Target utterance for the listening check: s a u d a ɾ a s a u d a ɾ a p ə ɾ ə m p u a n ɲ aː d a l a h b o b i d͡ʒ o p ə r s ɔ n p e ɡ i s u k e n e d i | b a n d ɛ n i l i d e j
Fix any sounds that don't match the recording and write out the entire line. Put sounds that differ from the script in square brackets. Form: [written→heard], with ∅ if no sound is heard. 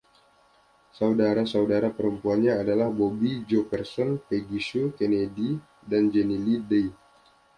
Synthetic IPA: s a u d a ɾ a s a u d a ɾ a p ə ɾ ə m p u a n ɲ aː d a l a h b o b i d͡ʒ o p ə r s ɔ n p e ɡ i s u k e n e d i | [b→d] a n [d→d͡ʒ] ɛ n i l i d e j